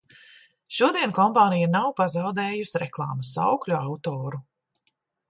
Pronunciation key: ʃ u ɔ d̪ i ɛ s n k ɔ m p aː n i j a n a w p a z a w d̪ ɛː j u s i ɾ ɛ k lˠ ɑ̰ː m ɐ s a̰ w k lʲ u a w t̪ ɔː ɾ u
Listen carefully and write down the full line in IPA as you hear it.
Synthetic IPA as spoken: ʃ u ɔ d̪ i ɛ n k ɔ m p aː n i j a n a w p a z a w d̪ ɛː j u s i ɾ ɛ k lˠ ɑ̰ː m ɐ s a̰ w k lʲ u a w t̪ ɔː ɾ u